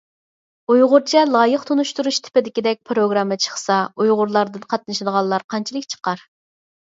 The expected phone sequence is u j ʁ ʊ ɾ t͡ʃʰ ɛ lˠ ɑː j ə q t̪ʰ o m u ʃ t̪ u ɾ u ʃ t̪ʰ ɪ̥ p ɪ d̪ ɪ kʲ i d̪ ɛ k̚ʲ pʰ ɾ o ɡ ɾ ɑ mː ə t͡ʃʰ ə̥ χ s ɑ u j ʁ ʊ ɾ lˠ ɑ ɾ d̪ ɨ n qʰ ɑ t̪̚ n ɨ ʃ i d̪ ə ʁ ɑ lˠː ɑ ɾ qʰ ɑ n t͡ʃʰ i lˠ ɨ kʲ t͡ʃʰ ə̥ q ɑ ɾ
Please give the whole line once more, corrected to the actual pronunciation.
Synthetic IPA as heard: u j ʁ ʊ ɾ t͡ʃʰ ɛ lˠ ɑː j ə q t̪ʰ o n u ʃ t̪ u ɾ u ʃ t̪ʰ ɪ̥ p ɪ d̪ ɪ kʲ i d̪ ɛ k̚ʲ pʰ ɾ o ɡ ɾ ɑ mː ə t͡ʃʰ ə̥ χ s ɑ u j ʁ ʊ ɾ lˠ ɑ ɾ d̪ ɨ n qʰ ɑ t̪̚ n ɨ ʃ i d̪ ə ʁ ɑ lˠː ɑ ɾ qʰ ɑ n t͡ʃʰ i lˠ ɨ kʲ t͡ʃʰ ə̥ q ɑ ɾ